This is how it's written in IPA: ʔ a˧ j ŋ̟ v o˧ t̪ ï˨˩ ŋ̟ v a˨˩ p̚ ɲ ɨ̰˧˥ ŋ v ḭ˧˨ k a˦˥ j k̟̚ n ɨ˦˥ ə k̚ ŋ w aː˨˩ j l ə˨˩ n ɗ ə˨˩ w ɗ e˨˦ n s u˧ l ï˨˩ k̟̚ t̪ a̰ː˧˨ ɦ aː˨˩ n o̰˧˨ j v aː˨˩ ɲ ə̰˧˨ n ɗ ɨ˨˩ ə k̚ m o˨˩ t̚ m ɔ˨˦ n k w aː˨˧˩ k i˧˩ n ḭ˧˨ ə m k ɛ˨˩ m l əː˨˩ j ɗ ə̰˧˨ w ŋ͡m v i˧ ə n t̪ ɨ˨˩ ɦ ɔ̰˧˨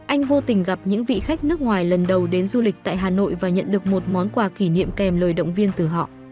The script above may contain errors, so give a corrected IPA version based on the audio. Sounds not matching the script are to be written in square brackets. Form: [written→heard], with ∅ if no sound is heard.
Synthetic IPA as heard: ʔ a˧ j ŋ̟ v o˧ t̪ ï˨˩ ŋ̟ [v→ɣ] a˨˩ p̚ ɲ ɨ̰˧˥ ŋ v ḭ˧˨ [k→x] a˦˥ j k̟̚ n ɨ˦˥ ə k̚ ŋ w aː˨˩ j l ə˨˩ n ɗ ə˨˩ w ɗ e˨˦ n [s→z] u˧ l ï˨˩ k̟̚ t̪ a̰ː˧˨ ɦ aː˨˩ n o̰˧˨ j v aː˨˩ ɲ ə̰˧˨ n ɗ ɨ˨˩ ə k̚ m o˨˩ t̚ m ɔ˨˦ n k w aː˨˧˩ k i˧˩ n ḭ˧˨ ə m k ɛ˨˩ m l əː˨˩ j ɗ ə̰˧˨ w ŋ͡m v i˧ ə n t̪ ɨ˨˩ ɦ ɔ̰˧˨